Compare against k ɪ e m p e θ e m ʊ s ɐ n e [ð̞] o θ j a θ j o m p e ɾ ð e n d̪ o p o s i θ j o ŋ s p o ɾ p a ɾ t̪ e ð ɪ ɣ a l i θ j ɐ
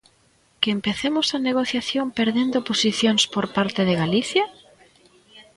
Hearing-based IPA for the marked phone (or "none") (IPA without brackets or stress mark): ɣ̞